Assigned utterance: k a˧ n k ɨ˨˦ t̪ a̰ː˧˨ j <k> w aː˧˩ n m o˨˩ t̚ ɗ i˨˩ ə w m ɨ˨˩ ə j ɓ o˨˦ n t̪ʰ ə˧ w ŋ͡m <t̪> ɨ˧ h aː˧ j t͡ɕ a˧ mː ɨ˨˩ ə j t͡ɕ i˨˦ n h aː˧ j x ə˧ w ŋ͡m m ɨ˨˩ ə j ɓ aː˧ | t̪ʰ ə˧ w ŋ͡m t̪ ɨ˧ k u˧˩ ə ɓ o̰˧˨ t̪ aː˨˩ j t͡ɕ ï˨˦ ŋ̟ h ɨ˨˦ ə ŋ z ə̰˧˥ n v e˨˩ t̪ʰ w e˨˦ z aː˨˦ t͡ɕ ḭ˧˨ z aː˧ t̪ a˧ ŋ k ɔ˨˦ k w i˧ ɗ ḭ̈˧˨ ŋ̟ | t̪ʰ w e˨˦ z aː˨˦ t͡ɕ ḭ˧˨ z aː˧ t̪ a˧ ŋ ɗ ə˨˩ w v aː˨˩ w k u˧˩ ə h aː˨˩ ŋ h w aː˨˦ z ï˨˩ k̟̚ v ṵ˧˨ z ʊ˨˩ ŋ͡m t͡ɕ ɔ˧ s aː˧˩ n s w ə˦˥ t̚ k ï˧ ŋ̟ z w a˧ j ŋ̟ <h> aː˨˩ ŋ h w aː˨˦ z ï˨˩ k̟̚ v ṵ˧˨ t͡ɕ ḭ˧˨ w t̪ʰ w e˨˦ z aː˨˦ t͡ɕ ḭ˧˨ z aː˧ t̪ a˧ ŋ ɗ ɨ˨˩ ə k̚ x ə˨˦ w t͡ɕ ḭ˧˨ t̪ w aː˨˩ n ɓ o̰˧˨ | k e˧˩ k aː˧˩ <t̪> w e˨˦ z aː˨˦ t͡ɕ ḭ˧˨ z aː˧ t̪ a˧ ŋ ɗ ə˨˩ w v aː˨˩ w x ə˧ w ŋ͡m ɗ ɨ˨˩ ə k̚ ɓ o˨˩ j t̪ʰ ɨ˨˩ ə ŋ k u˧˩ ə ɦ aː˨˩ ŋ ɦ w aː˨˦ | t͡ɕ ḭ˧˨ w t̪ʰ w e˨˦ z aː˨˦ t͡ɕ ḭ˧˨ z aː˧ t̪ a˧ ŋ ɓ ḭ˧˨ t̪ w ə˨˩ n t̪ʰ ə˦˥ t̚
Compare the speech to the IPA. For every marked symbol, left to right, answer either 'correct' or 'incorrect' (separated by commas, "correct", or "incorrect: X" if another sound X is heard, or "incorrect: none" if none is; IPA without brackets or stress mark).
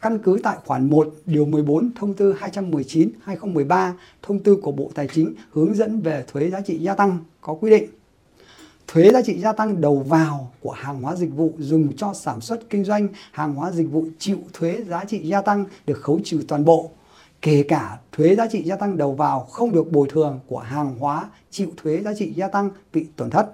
incorrect: x, correct, correct, incorrect: t̪ʰ